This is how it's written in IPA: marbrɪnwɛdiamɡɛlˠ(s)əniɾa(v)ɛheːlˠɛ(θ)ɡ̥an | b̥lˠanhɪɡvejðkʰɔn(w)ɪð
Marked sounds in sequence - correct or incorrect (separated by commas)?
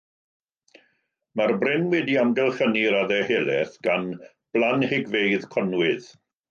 incorrect, incorrect, correct, correct